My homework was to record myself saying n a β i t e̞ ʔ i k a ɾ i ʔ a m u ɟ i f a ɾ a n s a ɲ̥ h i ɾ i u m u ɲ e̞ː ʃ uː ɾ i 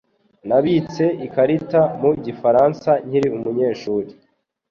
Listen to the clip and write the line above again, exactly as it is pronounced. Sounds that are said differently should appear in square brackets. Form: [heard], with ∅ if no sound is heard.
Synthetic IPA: n a β i [t͡s] e̞ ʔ i k a ɾ i [t] a m u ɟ i f a ɾ a n s a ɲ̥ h i ɾ i u m u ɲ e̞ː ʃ uː ɾ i